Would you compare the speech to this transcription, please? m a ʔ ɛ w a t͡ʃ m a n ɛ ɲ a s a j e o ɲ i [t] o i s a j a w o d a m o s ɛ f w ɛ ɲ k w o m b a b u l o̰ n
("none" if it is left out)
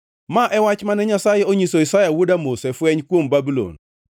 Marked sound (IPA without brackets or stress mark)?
s